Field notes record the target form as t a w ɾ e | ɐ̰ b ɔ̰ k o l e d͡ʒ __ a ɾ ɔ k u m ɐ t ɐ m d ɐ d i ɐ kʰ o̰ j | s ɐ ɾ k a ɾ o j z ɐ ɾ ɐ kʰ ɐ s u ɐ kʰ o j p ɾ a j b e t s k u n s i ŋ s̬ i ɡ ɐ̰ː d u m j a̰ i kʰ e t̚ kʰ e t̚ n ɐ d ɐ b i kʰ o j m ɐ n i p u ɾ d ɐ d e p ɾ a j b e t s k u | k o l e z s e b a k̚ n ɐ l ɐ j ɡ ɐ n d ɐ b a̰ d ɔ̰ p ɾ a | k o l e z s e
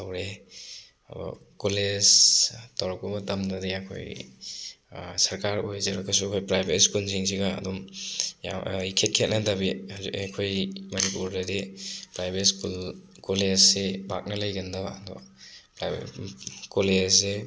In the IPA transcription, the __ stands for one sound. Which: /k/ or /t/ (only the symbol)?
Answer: t